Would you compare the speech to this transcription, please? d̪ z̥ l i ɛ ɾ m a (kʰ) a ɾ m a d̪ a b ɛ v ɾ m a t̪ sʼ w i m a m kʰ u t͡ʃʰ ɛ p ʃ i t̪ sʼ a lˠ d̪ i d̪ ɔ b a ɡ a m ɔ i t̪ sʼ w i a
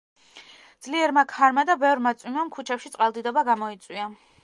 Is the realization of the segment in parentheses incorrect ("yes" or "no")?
no